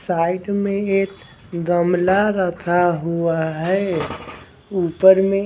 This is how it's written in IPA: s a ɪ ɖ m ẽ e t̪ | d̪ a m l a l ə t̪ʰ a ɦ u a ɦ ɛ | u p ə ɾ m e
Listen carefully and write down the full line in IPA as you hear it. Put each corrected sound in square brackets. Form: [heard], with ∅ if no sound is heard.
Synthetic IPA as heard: s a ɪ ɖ m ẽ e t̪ | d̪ [ə] m l a [ɾ] ə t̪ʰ a ɦ u a ɦ ɛ | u p ə ɾ m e